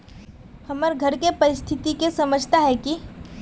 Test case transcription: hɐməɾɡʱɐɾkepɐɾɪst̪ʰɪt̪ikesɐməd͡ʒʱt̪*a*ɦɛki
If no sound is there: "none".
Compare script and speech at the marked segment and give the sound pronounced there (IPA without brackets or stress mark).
a